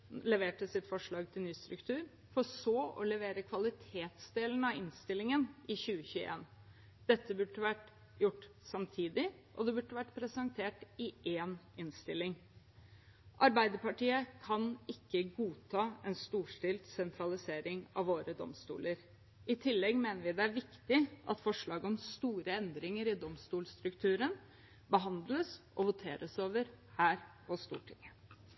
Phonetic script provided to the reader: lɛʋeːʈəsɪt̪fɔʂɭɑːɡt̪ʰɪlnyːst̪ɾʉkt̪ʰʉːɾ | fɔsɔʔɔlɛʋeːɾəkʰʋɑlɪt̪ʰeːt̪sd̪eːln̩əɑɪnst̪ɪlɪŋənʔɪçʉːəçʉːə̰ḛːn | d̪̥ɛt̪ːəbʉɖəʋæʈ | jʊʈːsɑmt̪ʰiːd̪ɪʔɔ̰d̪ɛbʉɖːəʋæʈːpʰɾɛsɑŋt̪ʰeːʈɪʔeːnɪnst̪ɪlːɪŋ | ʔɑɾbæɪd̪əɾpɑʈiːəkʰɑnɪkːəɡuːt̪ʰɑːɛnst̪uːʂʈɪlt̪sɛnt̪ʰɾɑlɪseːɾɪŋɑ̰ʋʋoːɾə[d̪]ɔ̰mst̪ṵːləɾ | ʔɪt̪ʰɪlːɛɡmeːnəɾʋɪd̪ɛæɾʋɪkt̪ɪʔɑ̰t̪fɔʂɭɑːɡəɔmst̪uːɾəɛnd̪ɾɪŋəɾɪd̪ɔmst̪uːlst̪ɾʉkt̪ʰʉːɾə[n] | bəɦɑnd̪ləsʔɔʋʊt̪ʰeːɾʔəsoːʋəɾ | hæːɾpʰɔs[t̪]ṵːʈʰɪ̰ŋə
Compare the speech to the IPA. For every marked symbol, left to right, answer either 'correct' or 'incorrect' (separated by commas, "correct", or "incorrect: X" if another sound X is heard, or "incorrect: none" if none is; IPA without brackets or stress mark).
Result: correct, correct, correct